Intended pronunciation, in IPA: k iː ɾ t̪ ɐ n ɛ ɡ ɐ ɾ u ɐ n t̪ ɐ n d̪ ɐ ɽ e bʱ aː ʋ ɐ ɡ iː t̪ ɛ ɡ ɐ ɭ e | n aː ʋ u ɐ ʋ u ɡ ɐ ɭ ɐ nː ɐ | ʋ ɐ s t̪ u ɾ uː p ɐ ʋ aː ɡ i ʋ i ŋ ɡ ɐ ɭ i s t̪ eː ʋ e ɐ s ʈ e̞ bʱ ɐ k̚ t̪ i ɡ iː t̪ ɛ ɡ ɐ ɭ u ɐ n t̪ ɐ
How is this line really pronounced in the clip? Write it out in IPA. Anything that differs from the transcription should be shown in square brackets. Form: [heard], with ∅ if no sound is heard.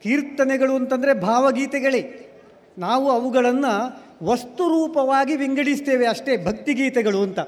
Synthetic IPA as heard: k iː ɾ t̪ ɐ n ɛ ɡ ɐ [ɭ] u ɐ n t̪ ɐ n d̪ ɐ [ɾ] e bʱ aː ʋ ɐ ɡ iː t̪ ɛ ɡ ɐ ɭ e | n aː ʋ u ɐ ʋ u ɡ ɐ ɭ ɐ nː ɐ | ʋ ɐ s t̪ u ɾ uː p ɐ ʋ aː ɡ i ʋ i ŋ ɡ ɐ [ɽ] i s t̪ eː ʋ e ɐ [ʂ] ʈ e̞ bʱ ɐ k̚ t̪ i ɡ iː t̪ ɛ ɡ ɐ ɭ u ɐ n t̪ ɐ